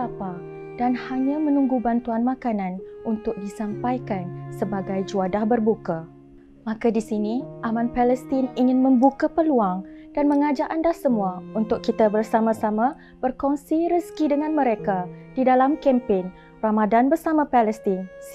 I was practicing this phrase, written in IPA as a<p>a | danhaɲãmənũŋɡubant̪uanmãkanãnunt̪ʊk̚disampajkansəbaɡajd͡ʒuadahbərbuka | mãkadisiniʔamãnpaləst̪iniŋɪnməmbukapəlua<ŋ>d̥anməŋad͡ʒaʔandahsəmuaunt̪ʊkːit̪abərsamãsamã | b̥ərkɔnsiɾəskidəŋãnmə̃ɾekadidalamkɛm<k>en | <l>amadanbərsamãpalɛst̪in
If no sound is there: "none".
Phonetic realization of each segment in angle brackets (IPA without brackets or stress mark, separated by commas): p, ŋ, p, r